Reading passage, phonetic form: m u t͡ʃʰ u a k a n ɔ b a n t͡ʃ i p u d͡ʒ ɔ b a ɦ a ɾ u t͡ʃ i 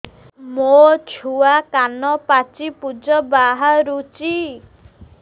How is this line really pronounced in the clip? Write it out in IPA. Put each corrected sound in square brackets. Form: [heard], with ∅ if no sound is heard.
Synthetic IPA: m [o] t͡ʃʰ u a k a n ɔ [p] a [∅] t͡ʃ i p u d͡ʒ ɔ b a ɦ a ɾ u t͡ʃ i

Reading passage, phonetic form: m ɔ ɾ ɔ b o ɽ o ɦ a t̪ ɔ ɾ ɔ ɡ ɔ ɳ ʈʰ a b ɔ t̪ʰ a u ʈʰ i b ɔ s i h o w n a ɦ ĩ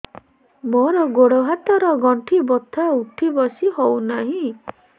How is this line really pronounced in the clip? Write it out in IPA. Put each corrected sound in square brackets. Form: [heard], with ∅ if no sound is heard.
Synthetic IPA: m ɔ ɾ ɔ [ɡ] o ɽ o ɦ a t̪ ɔ ɾ ɔ ɡ ɔ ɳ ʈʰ [i] b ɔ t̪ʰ a u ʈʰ i b ɔ s i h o w n a ɦ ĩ

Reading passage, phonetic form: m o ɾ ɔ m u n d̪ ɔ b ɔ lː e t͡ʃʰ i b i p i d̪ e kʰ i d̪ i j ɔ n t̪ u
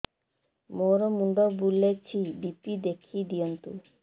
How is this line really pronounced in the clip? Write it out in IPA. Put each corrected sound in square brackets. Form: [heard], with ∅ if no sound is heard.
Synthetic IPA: m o ɾ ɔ m u n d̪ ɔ b [u] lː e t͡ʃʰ i b i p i d̪ e kʰ i d̪ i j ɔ n t̪ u

